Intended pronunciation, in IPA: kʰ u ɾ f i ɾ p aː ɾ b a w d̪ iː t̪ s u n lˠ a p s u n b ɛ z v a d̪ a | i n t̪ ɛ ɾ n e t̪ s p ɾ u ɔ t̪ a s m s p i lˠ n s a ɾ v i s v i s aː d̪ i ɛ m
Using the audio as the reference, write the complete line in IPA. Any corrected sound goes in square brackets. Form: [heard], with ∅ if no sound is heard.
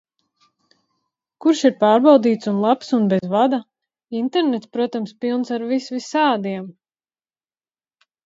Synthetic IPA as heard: [k] u ɾ [ʃ] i ɾ p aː ɾ b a w d̪ iː t̪ s u n lˠ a p s u n b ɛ z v a d̪ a | i n t̪ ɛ ɾ n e t̪ s p ɾ u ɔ t̪ a [∅] m s p i lˠ n s a ɾ v i s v i s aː d̪ i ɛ m